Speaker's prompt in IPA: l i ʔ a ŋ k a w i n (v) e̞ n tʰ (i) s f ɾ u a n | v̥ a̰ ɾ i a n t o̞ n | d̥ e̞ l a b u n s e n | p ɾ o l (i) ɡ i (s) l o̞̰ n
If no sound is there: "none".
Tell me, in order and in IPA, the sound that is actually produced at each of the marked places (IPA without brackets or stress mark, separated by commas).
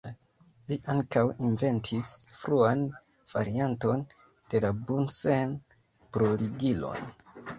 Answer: v, i, i, none